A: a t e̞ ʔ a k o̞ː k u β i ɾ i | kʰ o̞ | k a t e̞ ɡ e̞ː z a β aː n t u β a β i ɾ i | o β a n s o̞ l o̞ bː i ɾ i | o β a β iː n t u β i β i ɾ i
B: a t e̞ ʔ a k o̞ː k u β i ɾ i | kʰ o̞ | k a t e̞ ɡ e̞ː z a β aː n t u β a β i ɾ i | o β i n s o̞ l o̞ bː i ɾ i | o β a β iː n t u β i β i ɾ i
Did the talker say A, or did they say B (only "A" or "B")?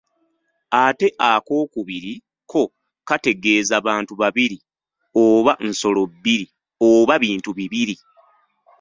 A